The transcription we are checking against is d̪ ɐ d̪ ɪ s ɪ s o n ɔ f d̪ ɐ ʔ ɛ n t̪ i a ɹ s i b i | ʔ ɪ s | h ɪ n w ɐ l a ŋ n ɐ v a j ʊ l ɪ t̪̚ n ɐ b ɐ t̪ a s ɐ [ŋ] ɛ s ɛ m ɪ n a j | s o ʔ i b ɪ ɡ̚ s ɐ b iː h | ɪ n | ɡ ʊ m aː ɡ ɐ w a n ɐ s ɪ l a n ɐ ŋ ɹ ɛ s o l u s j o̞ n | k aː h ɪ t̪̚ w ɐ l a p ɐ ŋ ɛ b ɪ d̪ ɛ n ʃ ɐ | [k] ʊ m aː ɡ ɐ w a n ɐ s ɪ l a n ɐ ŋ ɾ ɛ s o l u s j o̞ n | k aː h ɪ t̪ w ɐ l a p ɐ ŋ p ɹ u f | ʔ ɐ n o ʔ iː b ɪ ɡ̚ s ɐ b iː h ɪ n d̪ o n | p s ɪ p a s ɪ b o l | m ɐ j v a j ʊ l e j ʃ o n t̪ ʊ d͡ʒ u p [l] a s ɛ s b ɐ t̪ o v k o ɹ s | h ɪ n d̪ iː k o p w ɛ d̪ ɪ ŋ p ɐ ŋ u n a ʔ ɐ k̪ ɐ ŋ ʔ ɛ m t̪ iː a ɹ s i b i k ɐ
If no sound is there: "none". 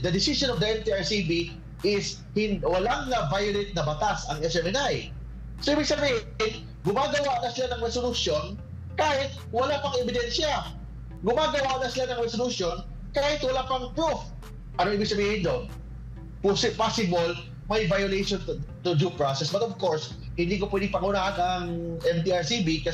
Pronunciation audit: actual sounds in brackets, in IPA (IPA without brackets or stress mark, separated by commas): ŋ, ɡ, ɹ